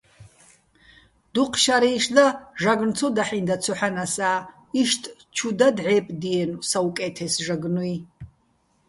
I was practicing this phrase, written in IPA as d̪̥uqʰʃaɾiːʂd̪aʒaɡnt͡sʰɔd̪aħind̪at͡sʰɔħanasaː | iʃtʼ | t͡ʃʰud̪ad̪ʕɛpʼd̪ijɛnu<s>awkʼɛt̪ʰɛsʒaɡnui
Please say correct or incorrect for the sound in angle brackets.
correct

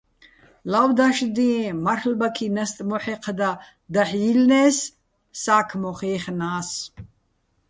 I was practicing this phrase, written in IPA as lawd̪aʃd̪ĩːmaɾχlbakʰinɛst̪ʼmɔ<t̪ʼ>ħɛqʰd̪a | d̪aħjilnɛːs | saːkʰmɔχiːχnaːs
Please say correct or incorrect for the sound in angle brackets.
incorrect: none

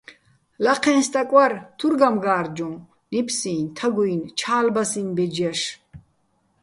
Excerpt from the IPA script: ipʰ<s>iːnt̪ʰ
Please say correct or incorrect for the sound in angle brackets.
correct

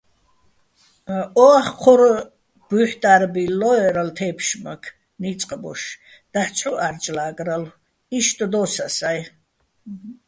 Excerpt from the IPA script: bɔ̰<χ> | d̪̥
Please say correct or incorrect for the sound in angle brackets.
incorrect: ʃ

